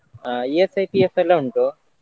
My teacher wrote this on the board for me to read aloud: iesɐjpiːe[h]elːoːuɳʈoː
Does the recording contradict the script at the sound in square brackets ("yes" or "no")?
yes